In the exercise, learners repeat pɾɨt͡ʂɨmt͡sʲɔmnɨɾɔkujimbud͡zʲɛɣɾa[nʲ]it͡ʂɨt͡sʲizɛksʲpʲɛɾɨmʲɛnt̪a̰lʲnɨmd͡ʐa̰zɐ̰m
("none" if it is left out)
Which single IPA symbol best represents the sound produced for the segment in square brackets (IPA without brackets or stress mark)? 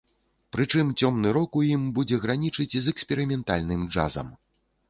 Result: nʲ